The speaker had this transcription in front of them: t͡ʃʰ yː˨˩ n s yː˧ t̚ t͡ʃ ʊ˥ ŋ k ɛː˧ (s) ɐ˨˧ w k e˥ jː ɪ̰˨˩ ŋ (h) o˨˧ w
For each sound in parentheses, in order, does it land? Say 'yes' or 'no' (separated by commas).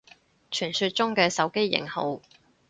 yes, yes